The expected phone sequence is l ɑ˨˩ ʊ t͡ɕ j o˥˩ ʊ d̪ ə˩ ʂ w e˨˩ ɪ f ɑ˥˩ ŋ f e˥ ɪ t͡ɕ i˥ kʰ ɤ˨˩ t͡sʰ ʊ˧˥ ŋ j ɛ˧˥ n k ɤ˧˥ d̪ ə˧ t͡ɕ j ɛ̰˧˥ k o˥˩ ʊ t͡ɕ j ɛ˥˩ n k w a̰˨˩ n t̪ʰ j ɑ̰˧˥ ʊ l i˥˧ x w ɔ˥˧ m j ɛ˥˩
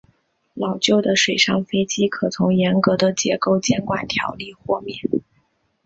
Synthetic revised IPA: l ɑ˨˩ ʊ t͡ɕ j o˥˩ ʊ d̪ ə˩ ʂ w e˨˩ ɪ ʂ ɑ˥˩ ŋ f e˥ ɪ t͡ɕ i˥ kʰ ɤ˨˩ t͡sʰ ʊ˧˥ ŋ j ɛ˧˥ n k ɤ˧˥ d̪ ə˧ t͡ɕ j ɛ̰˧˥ k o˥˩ ʊ t͡ɕ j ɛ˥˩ n k w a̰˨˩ n t̪ʰ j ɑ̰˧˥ ʊ l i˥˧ x w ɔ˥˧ m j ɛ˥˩